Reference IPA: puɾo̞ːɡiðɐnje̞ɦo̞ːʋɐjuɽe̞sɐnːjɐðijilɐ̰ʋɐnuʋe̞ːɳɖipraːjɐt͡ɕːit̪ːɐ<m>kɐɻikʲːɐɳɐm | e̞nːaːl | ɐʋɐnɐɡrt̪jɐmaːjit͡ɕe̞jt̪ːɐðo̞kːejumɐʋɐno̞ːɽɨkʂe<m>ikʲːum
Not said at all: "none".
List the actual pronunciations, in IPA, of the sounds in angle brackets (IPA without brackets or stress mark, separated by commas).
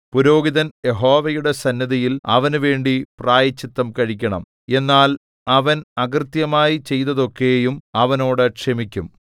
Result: m, m